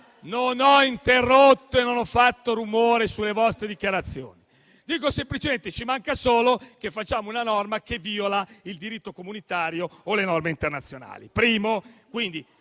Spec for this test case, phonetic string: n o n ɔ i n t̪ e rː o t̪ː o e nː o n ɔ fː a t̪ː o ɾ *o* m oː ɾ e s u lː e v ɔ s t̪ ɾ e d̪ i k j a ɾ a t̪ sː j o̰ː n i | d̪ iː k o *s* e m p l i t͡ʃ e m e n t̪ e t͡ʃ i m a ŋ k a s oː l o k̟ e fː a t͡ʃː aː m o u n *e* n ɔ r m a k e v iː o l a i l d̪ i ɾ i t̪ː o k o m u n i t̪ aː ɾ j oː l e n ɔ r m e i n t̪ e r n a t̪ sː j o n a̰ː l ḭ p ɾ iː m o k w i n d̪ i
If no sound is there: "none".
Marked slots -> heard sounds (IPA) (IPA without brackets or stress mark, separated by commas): u, s, a